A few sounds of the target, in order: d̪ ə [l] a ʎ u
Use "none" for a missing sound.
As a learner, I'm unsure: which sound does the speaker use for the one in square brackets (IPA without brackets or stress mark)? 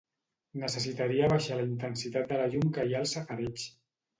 l